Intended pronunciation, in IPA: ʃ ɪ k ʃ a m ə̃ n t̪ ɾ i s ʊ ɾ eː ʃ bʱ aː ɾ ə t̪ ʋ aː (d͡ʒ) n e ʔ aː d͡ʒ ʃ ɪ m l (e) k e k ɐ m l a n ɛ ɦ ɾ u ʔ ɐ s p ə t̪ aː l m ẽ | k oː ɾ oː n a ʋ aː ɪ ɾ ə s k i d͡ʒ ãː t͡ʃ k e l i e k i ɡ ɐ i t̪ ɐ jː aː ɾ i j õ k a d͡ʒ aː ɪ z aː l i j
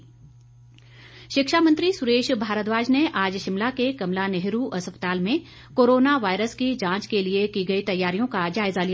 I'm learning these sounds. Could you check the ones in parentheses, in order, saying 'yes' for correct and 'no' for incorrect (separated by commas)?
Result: yes, no